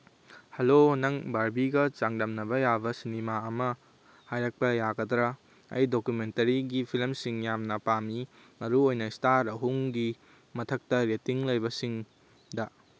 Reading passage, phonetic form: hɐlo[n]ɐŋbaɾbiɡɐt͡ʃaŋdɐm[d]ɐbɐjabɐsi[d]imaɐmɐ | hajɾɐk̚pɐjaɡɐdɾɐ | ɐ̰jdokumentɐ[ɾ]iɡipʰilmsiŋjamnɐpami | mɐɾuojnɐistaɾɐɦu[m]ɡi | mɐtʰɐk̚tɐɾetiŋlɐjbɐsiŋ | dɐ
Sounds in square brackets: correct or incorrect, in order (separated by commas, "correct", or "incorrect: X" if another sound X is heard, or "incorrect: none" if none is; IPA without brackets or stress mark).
correct, incorrect: n, incorrect: n, correct, incorrect: ŋ